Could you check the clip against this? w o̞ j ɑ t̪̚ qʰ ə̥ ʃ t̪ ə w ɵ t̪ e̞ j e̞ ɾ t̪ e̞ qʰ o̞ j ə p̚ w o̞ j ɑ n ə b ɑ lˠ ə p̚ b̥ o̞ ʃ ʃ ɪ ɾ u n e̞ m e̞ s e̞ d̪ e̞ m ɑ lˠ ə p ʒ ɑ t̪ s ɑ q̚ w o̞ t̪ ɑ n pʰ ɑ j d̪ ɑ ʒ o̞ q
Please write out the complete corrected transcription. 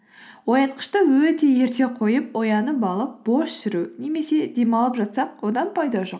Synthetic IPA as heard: w o̞ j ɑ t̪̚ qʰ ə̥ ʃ t̪ ə w ɵ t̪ e̞ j e̞ ɾ t̪ e̞ qʰ o̞ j ə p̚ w o̞ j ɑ n ə b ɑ lˠ ə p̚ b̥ o̞ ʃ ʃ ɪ ɾ u n e̞ m e̞ s e̞ d̪ e̞ m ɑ lˠ ə p ʒ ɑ t̪ s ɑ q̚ w o̞ d̪ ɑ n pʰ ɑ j d̪ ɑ ʒ o̞ q